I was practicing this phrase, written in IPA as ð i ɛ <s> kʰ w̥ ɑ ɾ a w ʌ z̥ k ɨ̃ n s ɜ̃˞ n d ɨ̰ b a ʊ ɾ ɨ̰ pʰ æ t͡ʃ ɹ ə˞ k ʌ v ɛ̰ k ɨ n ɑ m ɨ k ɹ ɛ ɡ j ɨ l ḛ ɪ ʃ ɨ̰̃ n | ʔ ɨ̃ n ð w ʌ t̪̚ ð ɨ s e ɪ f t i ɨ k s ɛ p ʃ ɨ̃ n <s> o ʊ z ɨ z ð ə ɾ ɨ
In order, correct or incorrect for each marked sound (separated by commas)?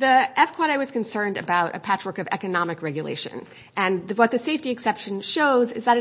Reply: incorrect, incorrect